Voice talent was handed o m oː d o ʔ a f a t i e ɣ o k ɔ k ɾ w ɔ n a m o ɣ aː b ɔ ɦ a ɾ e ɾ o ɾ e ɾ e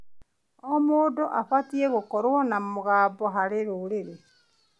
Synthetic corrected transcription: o m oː d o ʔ a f a t i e ɣ o k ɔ ɾ w ɔ n a m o ɣ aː b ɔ ɦ a ɾ e ɾ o ɾ e ɾ e